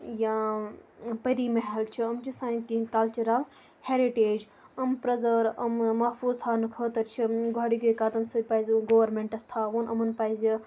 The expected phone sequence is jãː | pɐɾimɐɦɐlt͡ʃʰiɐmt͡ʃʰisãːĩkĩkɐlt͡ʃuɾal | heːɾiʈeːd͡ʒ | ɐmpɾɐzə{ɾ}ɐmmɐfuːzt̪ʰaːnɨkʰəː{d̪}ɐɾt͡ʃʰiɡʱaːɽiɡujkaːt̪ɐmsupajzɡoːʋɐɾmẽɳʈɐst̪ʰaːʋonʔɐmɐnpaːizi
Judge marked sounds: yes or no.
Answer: yes, no

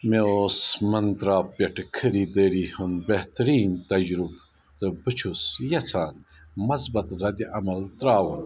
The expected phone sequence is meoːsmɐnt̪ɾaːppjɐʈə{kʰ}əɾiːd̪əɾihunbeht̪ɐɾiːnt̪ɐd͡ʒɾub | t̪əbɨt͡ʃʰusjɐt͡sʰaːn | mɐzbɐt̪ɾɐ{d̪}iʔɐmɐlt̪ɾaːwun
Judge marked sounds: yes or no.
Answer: yes, yes

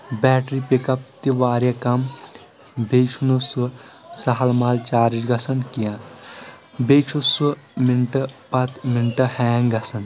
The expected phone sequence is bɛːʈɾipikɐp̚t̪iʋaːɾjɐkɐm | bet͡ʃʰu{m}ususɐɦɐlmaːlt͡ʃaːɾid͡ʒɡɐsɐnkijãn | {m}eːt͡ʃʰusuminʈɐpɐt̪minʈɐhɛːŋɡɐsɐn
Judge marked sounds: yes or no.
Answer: no, no

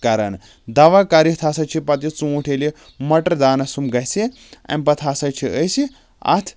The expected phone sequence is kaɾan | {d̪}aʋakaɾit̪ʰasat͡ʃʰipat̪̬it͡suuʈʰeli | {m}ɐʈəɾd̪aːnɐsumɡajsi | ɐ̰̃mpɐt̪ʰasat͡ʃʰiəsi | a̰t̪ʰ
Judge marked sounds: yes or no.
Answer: yes, yes

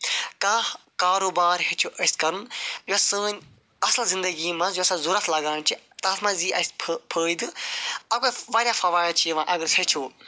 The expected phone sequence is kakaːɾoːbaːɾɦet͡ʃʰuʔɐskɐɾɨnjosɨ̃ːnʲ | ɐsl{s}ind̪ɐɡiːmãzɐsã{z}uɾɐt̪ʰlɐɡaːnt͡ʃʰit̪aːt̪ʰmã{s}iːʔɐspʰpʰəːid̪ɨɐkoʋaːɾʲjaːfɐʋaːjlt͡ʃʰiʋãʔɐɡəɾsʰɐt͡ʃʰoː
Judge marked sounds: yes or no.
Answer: no, yes, no

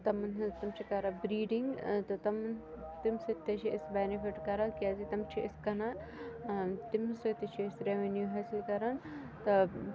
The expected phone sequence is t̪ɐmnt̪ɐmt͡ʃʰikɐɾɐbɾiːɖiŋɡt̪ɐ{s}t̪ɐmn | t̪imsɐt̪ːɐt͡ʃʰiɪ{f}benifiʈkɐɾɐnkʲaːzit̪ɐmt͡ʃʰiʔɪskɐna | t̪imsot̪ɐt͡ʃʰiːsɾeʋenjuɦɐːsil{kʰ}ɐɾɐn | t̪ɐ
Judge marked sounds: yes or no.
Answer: no, no, no

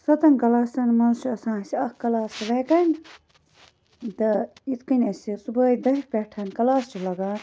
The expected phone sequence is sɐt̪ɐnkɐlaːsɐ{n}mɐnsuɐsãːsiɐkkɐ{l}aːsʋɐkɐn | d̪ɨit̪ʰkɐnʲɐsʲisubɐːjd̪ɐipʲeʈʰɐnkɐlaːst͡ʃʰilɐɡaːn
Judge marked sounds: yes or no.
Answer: yes, yes

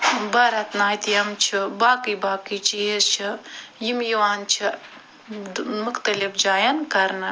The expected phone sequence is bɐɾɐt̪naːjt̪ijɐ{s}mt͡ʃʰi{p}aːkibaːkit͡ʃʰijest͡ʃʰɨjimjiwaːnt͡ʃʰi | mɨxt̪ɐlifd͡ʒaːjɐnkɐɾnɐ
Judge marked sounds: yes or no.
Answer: no, no

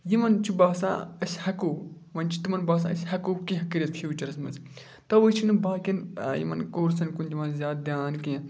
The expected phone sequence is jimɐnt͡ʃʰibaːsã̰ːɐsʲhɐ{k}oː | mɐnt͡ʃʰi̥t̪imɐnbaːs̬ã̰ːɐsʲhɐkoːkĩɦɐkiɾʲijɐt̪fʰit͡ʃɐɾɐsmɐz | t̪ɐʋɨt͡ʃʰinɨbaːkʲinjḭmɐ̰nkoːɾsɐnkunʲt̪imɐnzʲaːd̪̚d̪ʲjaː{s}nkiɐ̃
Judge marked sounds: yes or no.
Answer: yes, no

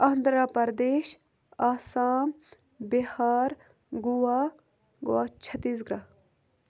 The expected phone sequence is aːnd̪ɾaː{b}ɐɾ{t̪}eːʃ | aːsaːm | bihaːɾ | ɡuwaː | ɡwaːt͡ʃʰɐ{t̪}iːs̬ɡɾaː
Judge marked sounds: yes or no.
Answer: no, no, yes

